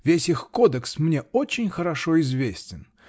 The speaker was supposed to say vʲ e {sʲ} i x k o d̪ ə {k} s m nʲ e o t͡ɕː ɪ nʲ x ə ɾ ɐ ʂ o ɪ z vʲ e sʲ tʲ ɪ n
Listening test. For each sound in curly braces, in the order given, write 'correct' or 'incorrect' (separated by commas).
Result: correct, correct